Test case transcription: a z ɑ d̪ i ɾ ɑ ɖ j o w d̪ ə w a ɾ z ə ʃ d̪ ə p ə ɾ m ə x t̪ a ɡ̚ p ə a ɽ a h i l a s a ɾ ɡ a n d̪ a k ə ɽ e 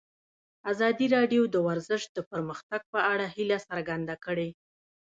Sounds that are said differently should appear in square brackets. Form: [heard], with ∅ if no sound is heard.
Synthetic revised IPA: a z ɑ d̪ i ɾ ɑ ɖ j o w d̪ ə w a ɾ z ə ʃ d̪ ə p ə ɾ m ə x t̪ a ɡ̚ p ə a ɽ a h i l a s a ɾ ɡ a n d̪ a k ə ɽ e